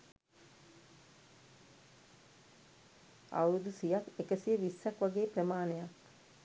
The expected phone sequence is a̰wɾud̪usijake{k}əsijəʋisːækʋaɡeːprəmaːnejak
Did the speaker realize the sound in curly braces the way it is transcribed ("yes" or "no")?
yes